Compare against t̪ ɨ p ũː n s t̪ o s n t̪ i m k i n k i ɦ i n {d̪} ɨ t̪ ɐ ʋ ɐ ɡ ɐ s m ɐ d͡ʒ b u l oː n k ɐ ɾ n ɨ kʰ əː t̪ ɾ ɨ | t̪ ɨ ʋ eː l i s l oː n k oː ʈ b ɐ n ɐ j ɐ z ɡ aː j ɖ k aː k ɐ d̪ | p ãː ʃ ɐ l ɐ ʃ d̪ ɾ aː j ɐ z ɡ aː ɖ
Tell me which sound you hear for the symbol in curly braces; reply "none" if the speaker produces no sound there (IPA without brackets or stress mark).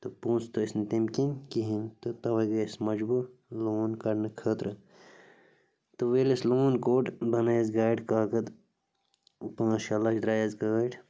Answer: t̪